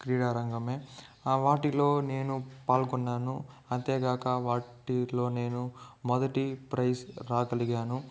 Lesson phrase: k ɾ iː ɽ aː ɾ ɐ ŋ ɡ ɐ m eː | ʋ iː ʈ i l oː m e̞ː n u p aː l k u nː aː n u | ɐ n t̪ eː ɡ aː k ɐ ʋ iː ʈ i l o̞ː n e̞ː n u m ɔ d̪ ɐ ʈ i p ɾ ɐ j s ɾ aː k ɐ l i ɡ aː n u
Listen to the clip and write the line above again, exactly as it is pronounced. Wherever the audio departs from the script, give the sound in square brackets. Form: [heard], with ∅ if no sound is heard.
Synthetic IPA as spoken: k ɾ iː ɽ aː ɾ ɐ ŋ ɡ ɐ m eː | ʋ [aː] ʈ i l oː [n] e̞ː n u p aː l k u nː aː n u | ɐ n t̪ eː ɡ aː k ɐ ʋ [aː] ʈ i l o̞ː n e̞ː n u m ɔ d̪ ɐ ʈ i p ɾ ɐ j s ɾ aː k ɐ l i ɡ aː n u